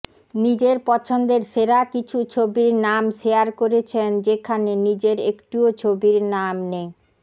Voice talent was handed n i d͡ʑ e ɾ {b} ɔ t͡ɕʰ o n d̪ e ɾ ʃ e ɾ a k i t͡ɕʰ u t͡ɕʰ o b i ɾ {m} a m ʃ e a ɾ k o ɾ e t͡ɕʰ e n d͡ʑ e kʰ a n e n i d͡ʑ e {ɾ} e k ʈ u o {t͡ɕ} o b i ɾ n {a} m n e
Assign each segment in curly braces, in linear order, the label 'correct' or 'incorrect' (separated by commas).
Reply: incorrect, incorrect, correct, incorrect, correct